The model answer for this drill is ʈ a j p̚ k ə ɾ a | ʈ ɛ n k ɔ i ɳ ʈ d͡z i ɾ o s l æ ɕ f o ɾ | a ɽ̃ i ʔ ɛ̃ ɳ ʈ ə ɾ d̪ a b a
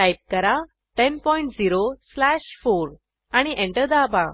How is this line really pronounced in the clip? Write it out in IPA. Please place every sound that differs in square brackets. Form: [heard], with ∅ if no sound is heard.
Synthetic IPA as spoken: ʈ a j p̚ k ə ɾ a | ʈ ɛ n [p] ɔ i ɳ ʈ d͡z i ɾ o s l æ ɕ f o ɾ | a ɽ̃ i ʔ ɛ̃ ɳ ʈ ə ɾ d̪ a b a